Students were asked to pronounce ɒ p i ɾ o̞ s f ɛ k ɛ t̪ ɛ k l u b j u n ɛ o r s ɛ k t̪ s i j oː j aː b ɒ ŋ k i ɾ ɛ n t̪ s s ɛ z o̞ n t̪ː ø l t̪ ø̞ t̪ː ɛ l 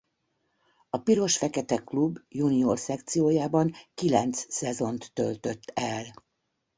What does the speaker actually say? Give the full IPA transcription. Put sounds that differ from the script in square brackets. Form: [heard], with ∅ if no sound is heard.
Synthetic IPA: ɒ p i ɾ o̞ [ʃ] f ɛ k ɛ t̪ ɛ k l u b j u n [i] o r s ɛ k t̪ s i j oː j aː b ɒ ŋ k i [l] ɛ n t̪ s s ɛ z o̞ n t̪ː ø l t̪ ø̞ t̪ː ɛ l

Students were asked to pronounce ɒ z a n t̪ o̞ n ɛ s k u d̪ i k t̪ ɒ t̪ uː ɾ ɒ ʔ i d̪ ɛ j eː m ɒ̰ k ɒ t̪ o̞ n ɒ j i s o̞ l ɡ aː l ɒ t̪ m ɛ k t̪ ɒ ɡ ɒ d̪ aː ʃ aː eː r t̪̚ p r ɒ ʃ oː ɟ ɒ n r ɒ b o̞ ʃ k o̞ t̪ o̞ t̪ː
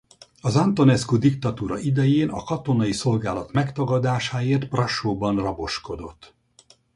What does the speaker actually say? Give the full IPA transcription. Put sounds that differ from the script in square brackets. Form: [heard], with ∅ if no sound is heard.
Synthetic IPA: ɒ z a n t̪ o̞ n ɛ s k u d̪ i k t̪ ɒ t̪ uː ɾ ɒ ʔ i d̪ ɛ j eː [n] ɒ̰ k ɒ t̪ o̞ n ɒ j i s o̞ l ɡ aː l ɒ t̪ m ɛ k t̪ ɒ ɡ ɒ d̪ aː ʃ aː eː r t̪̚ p r ɒ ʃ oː [b] ɒ n r ɒ b o̞ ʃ k o̞ [d̪] o̞ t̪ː

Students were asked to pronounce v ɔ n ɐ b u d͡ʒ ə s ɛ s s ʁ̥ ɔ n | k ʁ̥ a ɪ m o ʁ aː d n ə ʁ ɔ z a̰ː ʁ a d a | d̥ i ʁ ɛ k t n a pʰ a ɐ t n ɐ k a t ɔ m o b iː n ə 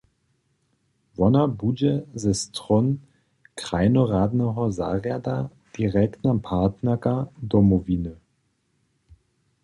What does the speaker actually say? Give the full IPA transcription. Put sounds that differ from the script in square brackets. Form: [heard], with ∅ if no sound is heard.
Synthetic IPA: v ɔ n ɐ b u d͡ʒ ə [z] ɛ s [t] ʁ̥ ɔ n | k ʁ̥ a ɪ [n] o ʁ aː d n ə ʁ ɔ z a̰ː ʁ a d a | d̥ i ʁ ɛ k t n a pʰ a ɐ t n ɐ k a [d] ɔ m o [v] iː n ə

